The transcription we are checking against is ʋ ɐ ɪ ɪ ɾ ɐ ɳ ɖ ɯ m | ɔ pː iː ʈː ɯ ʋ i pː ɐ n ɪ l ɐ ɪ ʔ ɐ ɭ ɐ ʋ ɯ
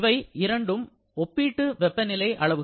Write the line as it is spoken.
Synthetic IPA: ʋ ɐ ɪ ɪ ɾ ɐ ɳ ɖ ɯ m | ɔ pː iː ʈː ɯ ʋ ɛ pː ɐ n ɪ l ɐ ɪ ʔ ɐ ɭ ɐ ʋ ɯ